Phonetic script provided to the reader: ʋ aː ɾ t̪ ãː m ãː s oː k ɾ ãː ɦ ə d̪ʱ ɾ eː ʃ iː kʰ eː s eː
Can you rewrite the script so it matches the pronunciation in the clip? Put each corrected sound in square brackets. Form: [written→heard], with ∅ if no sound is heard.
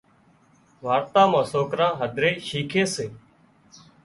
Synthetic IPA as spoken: ʋ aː ɾ t̪ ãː m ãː s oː k ɾ ãː ɦ ə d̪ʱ ɾ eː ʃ iː kʰ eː s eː